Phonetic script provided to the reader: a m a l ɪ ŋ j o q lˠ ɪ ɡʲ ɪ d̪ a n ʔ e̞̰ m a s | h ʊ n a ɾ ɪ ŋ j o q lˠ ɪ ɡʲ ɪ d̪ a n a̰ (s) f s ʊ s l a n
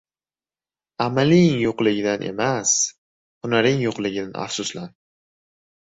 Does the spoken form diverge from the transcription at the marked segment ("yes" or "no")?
yes